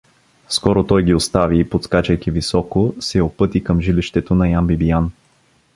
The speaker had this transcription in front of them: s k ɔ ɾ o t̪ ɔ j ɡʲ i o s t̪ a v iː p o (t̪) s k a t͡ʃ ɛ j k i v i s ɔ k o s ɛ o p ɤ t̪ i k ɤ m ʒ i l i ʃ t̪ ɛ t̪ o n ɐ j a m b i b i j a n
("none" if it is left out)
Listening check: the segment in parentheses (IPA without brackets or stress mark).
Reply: t̪